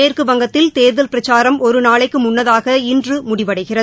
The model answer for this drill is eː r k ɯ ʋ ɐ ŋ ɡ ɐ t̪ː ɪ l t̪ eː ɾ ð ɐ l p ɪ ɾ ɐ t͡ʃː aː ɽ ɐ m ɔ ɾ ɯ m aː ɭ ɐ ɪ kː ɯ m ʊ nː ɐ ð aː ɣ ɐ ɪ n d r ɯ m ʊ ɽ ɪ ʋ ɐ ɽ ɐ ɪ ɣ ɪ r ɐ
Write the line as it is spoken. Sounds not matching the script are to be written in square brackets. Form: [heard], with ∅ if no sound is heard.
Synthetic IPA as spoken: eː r k ɯ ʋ ɐ ŋ ɡ ɐ t̪ː ɪ l t̪ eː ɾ ð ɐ l p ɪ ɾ ɐ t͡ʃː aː [ɾ] ɐ m ɔ ɾ ɯ [n] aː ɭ ɐ ɪ kː ɯ m ʊ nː ɐ ð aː ɣ ɐ ɪ n d r ɯ m ʊ ɽ ɪ ʋ ɐ ɽ ɐ ɪ ɣ ɪ r ɐ